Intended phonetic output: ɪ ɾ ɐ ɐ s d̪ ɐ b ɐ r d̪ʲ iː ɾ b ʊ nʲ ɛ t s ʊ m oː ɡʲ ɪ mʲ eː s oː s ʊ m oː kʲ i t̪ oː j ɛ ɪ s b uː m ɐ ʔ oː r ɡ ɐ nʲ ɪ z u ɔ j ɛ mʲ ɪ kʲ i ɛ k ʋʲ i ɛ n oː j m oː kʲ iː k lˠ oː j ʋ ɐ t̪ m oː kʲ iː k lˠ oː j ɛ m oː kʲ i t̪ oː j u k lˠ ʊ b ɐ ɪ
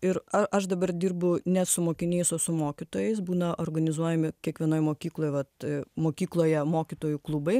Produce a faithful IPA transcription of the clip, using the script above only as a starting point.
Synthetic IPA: ɪ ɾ ɐ ɐ ʃ d̪ ɐ b ɐ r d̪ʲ iː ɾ b ʊ nʲ ɛ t s ʊ m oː kʲ ɪ nʲ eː s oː s ʊ m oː kʲ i t̪ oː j ɛ ɪ s b uː n ɐ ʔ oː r ɡ ɐ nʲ ɪ z u ɔ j ɛ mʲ ɪ kʲ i ɛ k ʋʲ i ɛ n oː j m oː kʲ iː k lˠ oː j ʋ ɐ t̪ m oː kʲ iː k lˠ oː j ɛ m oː kʲ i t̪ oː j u k lˠ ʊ b ɐ ɪ